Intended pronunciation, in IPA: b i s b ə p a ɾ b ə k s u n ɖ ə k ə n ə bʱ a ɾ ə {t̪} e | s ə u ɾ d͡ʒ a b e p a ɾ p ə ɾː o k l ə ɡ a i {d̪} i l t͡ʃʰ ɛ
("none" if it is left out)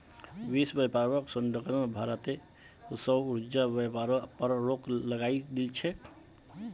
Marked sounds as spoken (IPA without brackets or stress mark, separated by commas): t̪, d̪